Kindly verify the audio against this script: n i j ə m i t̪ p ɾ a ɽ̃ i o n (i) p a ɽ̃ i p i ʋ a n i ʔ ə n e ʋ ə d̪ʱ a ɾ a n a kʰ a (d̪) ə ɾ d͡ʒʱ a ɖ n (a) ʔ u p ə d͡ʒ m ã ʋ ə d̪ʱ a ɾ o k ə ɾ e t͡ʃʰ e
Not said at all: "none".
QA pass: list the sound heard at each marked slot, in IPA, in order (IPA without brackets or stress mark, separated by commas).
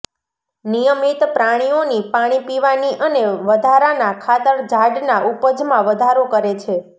i, t̪, a